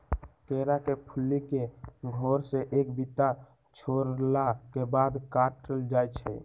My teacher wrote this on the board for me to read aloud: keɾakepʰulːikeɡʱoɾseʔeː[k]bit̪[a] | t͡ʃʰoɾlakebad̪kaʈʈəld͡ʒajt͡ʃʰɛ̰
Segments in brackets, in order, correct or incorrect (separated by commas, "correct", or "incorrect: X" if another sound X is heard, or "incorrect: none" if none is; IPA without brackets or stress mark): correct, correct